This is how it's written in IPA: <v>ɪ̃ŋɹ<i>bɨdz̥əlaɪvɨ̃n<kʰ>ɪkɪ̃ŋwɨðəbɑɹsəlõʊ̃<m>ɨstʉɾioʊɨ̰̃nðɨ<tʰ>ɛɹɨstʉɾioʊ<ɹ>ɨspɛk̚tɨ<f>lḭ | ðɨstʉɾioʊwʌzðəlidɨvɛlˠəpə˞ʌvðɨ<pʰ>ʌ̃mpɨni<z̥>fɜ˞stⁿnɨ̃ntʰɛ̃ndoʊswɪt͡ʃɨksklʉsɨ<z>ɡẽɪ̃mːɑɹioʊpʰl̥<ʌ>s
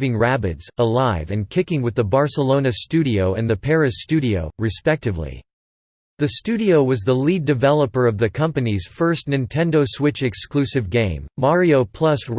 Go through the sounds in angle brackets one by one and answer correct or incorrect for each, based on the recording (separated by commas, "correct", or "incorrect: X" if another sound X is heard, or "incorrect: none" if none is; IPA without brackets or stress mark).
correct, incorrect: æ, correct, incorrect: n, incorrect: pʰ, correct, incorrect: v, incorrect: kʰ, correct, incorrect: v, correct